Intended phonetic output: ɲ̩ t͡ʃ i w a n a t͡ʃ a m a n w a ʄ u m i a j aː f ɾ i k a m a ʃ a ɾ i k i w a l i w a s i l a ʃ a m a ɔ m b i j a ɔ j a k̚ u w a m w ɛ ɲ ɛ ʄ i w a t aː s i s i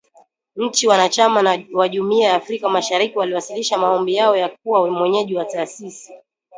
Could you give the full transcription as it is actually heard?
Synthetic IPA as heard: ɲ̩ t͡ʃ i w a n a t͡ʃ a m a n w a ʄ u m i a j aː f ɾ i k a m a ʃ a ɾ i k i w a l i w a s i l i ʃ a m a ɔ m b i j a ɔ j a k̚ u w a m w ɛ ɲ ɛ ʄ i w a t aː s i s i